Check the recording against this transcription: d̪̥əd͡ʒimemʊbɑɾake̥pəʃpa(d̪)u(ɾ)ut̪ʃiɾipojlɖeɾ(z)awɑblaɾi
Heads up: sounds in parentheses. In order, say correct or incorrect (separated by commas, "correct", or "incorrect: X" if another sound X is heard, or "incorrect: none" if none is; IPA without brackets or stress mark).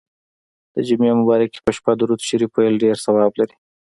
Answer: correct, correct, incorrect: s